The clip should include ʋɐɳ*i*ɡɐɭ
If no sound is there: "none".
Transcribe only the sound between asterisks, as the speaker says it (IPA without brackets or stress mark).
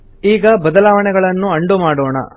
ɛ